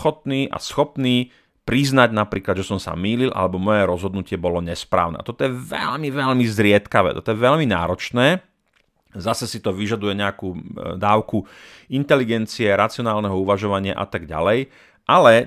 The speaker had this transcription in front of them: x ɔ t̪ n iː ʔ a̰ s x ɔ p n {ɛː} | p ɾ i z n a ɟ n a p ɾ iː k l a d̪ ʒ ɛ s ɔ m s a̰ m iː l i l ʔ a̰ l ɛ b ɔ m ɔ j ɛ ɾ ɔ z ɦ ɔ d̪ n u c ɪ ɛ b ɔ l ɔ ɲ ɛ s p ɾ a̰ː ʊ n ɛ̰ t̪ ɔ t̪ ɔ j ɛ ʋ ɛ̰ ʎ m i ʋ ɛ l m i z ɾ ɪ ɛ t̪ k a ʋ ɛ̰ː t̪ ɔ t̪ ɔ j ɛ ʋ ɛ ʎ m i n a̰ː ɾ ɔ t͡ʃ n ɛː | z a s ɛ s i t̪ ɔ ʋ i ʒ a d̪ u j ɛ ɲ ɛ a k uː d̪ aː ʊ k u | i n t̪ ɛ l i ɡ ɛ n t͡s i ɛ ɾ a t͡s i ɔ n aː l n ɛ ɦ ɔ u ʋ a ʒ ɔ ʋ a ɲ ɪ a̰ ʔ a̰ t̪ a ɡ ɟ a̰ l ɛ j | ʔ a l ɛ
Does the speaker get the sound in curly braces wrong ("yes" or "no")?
yes